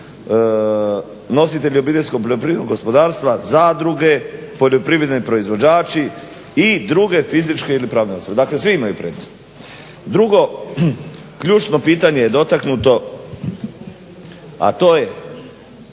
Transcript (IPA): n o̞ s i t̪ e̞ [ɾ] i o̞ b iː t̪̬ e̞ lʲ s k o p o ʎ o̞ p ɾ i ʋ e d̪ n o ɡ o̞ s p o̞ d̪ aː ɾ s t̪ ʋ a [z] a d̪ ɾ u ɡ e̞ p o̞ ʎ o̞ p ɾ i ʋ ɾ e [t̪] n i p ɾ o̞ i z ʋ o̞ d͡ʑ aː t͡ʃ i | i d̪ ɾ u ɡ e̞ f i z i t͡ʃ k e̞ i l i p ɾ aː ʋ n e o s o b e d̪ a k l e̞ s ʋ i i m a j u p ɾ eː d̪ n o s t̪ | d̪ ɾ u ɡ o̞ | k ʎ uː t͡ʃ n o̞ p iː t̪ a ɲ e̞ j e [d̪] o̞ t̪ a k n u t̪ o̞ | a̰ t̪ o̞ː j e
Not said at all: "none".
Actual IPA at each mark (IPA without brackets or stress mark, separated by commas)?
ʎ, z, d̪, d̪